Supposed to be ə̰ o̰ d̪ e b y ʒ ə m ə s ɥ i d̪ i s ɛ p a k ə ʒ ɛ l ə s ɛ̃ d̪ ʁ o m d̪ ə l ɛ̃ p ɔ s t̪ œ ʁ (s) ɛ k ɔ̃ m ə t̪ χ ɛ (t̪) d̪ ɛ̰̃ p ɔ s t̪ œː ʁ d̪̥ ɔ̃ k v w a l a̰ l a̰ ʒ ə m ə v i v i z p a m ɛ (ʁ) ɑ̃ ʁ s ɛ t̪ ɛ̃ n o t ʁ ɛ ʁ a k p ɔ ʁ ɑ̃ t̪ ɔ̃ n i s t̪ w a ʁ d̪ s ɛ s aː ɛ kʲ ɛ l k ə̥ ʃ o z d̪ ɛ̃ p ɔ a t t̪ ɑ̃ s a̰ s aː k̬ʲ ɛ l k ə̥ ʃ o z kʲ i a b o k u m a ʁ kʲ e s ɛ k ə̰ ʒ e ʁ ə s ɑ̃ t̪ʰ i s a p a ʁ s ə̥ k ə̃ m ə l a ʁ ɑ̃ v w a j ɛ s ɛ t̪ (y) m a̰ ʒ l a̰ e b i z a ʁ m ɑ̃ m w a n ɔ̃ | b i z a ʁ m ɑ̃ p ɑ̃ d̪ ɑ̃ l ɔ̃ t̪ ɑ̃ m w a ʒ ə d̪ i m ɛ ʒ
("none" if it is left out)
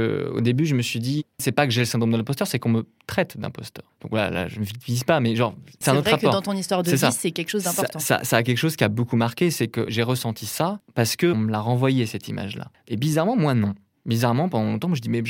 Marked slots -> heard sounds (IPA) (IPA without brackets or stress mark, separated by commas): s, t̪, ʒ, i